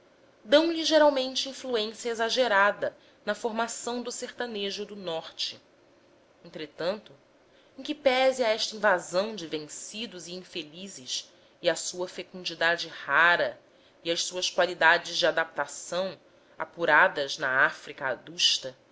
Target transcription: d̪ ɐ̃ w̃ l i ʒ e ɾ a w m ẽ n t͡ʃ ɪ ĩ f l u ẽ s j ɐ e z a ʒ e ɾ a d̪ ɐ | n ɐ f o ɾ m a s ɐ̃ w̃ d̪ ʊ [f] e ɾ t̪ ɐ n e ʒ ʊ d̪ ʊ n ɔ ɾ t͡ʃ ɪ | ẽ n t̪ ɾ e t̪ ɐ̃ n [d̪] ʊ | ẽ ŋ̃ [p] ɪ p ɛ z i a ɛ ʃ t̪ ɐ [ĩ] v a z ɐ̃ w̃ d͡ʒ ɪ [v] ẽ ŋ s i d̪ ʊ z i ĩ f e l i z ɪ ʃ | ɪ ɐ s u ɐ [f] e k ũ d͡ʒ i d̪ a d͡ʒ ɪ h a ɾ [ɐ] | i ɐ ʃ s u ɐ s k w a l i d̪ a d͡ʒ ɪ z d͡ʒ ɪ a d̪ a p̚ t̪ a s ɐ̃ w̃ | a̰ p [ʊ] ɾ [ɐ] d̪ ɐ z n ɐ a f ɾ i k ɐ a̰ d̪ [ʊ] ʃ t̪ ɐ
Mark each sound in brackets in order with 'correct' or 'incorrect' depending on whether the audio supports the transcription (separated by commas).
incorrect, incorrect, incorrect, correct, correct, correct, correct, incorrect, incorrect, incorrect